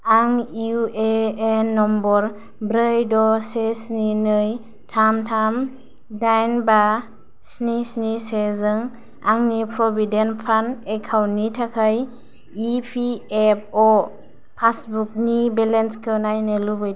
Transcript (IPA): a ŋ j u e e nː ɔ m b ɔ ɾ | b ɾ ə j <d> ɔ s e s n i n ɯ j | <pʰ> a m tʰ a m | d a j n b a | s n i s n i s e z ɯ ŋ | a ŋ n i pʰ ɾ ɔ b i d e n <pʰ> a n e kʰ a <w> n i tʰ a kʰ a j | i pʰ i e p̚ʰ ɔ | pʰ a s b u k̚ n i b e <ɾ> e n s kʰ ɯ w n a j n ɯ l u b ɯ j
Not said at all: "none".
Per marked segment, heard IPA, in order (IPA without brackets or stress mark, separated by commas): d, tʰ, pʰ, w, l